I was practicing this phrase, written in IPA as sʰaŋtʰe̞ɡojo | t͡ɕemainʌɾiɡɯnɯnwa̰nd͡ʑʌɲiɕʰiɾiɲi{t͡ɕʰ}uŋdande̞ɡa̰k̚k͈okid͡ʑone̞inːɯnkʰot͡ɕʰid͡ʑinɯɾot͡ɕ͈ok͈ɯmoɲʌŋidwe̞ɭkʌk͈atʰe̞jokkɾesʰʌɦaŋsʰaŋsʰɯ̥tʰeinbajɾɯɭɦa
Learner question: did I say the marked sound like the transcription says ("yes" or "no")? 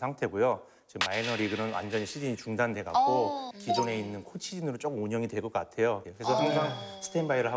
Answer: no